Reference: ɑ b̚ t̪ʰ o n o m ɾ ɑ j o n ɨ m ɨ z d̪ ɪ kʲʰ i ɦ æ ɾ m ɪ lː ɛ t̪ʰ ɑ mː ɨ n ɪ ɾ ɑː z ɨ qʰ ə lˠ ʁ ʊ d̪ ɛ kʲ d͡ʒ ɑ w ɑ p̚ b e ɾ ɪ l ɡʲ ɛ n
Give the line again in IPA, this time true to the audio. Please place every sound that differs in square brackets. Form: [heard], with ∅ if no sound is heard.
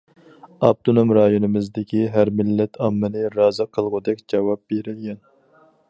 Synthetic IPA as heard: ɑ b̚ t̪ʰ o n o m ɾ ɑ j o n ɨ m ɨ z d̪ ɪ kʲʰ i ɦ æ ɾ m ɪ lː ɛ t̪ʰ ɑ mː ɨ n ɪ ɾ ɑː z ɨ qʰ ə lˠ ʁ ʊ d̪ ɛ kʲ d͡ʒ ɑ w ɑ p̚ b e ɾ ɪ l ɡʲ ɛ n

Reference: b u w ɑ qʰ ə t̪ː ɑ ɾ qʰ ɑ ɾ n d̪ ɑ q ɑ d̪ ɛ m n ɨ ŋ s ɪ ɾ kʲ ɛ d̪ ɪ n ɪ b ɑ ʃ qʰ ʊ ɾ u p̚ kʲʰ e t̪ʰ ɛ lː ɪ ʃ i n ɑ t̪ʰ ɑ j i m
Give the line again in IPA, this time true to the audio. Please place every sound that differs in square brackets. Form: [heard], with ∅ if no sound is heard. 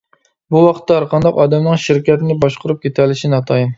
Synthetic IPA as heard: b u w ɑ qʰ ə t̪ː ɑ ɾ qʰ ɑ [∅] n d̪ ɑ q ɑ d̪ ɛ m n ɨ ŋ [ʃ] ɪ ɾ kʲ ɛ [t̪] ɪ n ɪ b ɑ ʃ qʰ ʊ ɾ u p̚ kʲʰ e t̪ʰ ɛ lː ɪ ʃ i n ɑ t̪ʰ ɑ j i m

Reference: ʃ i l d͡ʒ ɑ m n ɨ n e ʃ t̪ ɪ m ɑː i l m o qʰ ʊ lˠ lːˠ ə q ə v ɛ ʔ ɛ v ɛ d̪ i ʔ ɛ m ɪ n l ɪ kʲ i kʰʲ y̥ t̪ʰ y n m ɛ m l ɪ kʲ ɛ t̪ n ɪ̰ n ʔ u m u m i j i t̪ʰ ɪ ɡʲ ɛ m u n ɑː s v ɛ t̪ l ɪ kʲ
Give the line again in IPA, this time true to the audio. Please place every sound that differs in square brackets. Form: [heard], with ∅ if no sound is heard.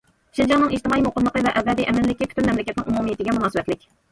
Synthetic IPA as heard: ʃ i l d͡ʒ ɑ [ŋ] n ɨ [ŋ] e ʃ t̪ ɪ m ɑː i [∅] m o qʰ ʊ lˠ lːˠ ə q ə v ɛ ʔ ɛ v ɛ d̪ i ʔ ɛ m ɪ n l ɪ kʲ i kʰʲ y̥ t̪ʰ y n m ɛ m l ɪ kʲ ɛ t̪ n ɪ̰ [ŋ] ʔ u m u m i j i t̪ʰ ɪ ɡʲ ɛ m u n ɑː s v ɛ t̪ l ɪ kʲ

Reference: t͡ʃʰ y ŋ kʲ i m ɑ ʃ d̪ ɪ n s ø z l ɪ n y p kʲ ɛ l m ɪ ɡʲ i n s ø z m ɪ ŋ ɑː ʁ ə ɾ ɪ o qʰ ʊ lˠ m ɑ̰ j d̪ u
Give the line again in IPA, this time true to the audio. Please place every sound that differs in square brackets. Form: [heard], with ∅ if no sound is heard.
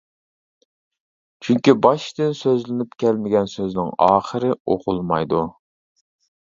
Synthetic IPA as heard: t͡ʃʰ y ŋ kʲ i [b] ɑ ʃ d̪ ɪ n s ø z l ɪ n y p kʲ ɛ l m ɪ ɡʲ [ɛ] n s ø z [n] ɪ ŋ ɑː [χ] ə ɾ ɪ o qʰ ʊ lˠ m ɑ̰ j d̪ u

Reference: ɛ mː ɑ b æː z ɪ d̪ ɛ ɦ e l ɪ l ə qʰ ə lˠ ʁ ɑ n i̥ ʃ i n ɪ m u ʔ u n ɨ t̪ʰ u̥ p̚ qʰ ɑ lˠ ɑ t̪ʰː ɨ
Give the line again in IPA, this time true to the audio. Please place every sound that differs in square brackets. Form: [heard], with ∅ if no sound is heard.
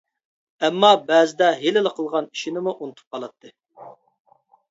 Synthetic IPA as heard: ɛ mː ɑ b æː z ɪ d̪ ɛ ɦ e l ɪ l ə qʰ ə lˠ ʁ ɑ n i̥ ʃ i n ɪ m u ʔ u n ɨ t̪ʰ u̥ p̚ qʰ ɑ lˠ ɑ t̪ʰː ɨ

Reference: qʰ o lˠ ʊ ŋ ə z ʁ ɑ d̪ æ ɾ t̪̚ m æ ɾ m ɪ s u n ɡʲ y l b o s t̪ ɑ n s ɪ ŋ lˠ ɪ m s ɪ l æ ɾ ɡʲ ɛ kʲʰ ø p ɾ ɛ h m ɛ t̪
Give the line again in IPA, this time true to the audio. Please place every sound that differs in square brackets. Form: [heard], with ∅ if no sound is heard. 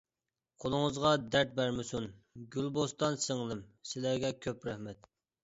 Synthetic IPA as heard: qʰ o lˠ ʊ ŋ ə z ʁ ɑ d̪ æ ɾ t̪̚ [b] æ ɾ m ɪ s u n ɡʲ y l b o s t̪ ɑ n s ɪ ŋ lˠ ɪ m s ɪ l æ ɾ ɡʲ ɛ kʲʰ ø p ɾ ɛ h m ɛ t̪

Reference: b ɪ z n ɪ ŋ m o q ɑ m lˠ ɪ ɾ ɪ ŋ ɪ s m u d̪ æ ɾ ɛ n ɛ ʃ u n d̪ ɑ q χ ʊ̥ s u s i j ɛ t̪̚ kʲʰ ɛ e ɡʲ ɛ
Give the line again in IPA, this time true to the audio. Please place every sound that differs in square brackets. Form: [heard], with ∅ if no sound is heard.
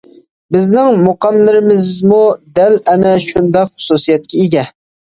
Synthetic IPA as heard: b ɪ z n ɪ ŋ m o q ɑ m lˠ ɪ ɾ ɪ [m] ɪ [z] m u d̪ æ [l] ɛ n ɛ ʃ u n d̪ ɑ q χ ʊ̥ s u s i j ɛ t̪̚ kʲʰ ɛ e ɡʲ ɛ

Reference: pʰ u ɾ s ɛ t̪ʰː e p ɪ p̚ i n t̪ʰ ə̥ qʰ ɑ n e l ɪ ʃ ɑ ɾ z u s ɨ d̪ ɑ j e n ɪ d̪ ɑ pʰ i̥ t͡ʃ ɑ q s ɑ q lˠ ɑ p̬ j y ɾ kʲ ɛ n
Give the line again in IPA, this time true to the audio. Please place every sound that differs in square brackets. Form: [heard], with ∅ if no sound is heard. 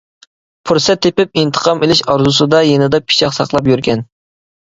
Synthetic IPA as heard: pʰ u ɾ s ɛ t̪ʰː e p ɪ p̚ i n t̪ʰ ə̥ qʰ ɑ [m] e l ɪ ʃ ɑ ɾ z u s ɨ d̪ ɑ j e n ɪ d̪ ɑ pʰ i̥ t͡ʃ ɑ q s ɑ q lˠ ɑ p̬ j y ɾ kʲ ɛ n

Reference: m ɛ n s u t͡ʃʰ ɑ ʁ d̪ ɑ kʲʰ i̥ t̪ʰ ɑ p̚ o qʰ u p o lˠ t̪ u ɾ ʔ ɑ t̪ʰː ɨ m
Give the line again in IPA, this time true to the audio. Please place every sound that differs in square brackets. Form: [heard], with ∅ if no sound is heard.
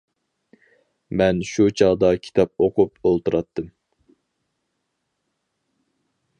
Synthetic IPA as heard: m ɛ n [ʃ] u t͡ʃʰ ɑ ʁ d̪ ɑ kʲʰ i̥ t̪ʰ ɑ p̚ o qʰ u p o lˠ t̪ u ɾ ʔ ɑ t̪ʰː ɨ m

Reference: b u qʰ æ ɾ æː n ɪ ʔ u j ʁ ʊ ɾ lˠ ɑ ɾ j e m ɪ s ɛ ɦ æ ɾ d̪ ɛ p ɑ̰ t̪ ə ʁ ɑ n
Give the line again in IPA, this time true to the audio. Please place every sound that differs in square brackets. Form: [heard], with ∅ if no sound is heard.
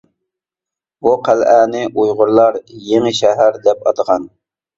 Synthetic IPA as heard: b u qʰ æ [l] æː n ɪ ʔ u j ʁ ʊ ɾ lˠ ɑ ɾ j e [ŋ] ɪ [ʃ] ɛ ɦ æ ɾ d̪ ɛ p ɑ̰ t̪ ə ʁ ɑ n

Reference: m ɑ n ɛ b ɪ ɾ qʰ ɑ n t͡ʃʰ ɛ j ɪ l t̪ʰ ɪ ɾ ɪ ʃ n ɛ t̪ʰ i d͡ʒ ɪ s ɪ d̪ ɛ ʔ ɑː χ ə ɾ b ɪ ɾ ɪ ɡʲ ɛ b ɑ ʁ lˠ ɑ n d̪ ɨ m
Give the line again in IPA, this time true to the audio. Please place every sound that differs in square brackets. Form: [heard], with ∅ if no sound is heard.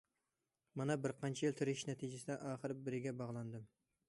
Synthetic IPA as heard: m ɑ n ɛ b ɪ ɾ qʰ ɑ n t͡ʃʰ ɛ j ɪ l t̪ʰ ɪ ɾ ɪ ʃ n ɛ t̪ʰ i d͡ʒ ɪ s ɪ d̪ ɛ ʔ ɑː χ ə ɾ b ɪ ɾ ɪ ɡʲ ɛ b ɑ ʁ lˠ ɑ n d̪ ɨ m

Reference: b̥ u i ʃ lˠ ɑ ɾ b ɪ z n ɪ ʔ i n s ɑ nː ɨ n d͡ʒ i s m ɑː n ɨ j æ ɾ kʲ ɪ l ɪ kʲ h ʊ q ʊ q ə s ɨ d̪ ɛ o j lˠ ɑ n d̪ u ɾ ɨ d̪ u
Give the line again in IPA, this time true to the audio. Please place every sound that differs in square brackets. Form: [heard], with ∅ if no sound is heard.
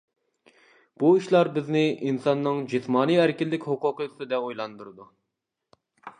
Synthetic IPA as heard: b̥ u i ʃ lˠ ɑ ɾ b ɪ z n ɪ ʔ i n s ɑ nː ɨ [ŋ] d͡ʒ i s m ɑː n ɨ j æ ɾ kʲ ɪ [lː] ɪ kʲ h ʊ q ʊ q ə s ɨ d̪ ɛ o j lˠ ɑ n d̪ u ɾ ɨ d̪ u

